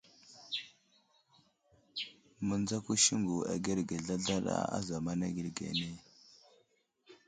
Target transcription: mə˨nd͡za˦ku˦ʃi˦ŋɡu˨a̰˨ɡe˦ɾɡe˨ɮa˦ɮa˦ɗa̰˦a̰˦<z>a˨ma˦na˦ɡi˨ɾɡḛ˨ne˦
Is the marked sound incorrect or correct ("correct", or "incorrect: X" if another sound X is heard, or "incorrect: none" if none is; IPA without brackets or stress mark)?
correct